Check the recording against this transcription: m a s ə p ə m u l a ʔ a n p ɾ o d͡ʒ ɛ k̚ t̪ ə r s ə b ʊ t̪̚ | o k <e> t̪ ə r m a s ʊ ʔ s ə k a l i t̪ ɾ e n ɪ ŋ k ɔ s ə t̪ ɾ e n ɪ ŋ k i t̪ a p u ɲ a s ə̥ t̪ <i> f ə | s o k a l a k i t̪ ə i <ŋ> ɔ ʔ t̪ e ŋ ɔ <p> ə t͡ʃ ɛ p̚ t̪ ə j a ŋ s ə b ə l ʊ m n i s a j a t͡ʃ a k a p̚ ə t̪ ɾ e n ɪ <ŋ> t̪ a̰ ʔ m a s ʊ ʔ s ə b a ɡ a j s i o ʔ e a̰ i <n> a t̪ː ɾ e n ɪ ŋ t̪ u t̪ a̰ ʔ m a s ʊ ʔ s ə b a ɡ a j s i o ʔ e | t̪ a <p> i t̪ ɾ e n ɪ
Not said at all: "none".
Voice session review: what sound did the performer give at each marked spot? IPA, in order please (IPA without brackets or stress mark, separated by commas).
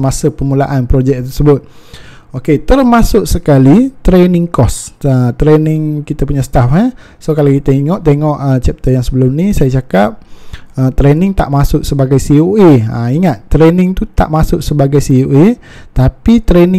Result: e, a, ŋ, ʔ, ŋ, ŋ, p